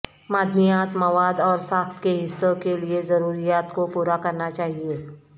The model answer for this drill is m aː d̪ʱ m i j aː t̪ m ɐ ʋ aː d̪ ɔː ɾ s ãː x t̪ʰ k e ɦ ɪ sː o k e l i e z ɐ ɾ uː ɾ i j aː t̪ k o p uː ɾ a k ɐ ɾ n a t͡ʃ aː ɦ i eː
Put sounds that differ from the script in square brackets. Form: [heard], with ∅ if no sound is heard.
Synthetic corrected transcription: m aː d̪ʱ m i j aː t̪ m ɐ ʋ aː d̪ ɔː ɾ s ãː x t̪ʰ k e ɦ ɪ sː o k e l i e z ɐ ɾ uː ɾ i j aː t̪ k o p uː ɾ a k ɐ ɾ n a t͡ʃ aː ɦ i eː